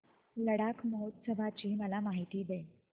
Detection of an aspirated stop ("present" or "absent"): absent